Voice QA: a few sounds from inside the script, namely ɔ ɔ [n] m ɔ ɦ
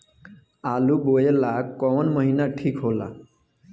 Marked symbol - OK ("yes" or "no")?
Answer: yes